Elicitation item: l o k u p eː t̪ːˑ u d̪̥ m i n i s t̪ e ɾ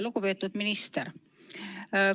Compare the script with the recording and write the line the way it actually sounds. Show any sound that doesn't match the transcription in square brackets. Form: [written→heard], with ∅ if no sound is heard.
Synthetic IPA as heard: l [o→u] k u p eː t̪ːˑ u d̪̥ m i n i s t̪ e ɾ